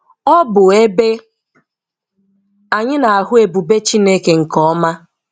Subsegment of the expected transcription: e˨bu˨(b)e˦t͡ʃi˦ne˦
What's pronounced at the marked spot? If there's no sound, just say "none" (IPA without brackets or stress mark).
b